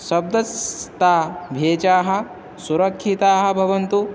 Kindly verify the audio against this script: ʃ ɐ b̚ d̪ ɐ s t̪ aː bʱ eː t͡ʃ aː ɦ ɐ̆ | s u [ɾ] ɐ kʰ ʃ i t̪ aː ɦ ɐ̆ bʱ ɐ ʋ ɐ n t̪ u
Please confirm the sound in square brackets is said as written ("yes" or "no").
yes